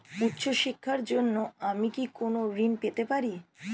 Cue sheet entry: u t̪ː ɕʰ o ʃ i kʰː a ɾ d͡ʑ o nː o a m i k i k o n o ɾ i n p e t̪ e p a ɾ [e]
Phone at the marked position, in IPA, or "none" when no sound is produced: i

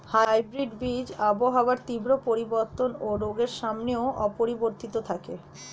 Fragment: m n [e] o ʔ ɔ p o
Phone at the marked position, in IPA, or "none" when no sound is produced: e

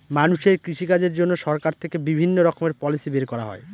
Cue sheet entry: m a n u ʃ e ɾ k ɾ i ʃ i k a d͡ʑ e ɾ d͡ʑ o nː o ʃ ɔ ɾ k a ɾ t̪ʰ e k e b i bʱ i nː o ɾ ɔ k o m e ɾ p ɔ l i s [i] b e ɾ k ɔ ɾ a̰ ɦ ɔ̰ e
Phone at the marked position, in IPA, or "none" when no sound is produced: i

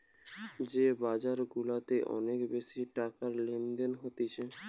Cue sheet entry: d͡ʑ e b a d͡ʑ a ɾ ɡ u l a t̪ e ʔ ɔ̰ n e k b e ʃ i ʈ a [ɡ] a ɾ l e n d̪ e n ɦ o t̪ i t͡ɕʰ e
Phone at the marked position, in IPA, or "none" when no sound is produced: k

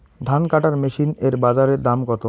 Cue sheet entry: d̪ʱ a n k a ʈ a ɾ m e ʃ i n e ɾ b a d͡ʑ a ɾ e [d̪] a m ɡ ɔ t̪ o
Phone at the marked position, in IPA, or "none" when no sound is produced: d̪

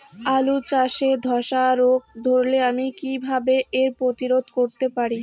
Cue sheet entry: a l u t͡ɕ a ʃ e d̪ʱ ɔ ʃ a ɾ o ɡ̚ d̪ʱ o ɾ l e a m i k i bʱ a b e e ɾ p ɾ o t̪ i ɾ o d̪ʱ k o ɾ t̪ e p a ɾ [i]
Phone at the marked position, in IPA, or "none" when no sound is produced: i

